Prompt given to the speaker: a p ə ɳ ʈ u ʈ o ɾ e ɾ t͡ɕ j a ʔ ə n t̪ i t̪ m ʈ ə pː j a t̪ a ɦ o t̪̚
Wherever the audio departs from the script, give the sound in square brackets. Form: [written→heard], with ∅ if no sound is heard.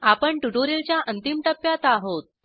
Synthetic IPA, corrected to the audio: a p ə ɳ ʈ u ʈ o ɾ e [ɾ→l] t͡ɕ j a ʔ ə n t̪ i [t̪→∅] m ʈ ə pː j a t̪ a ɦ o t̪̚